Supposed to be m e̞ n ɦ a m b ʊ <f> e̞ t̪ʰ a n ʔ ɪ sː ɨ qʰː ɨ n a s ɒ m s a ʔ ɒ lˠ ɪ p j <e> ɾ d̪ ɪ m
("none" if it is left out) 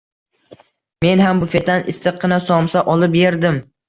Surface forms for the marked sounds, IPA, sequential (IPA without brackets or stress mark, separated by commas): f, e